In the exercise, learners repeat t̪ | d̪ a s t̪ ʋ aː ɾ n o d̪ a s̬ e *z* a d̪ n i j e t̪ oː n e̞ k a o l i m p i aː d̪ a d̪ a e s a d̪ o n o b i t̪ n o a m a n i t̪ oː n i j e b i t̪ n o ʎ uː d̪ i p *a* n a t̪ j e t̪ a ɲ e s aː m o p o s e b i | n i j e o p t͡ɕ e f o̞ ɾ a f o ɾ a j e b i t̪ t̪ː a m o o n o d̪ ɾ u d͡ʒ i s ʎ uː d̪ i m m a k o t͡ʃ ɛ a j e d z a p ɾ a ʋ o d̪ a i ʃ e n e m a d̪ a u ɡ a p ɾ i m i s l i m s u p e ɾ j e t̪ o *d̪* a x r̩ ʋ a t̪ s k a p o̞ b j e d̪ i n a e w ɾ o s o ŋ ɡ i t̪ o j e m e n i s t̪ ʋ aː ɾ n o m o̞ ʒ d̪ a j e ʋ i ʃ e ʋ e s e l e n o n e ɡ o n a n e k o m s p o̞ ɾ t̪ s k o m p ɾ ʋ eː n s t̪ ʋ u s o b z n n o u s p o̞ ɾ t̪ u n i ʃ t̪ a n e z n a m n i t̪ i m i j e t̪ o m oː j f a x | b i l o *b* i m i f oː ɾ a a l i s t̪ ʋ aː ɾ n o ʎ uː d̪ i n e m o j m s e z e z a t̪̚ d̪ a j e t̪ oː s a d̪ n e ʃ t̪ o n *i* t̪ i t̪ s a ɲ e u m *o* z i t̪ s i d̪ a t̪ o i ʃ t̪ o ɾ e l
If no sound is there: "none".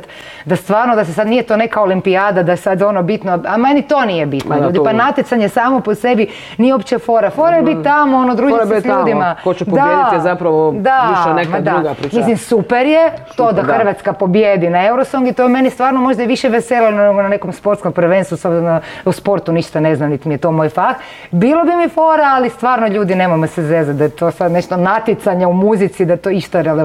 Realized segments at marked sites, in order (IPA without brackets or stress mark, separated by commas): s, a, d̪, b, a, u